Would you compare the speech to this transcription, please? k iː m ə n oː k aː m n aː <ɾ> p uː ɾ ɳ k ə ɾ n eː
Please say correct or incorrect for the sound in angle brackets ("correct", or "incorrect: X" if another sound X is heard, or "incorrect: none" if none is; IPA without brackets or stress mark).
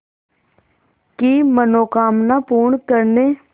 incorrect: none